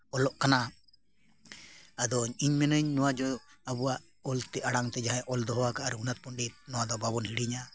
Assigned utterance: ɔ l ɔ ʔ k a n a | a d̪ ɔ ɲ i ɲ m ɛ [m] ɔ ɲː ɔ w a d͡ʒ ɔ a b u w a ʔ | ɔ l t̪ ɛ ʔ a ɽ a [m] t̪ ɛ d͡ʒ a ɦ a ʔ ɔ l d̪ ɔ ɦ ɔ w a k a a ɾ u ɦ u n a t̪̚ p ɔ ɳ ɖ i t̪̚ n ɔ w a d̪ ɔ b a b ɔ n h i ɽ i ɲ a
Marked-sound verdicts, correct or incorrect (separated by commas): incorrect, incorrect